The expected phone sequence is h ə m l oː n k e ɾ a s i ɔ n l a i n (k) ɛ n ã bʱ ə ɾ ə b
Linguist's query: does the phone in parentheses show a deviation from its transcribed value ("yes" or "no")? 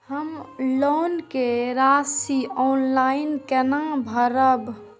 no